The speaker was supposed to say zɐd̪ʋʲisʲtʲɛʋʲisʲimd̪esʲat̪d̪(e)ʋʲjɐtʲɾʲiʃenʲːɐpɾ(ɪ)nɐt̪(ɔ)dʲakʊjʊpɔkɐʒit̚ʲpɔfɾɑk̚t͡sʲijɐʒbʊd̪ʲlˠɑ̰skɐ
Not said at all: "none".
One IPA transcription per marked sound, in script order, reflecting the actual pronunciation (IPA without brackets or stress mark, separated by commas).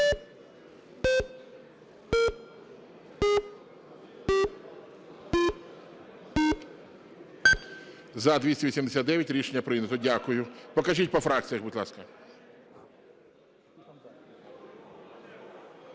ɛ, ɪ, ɔ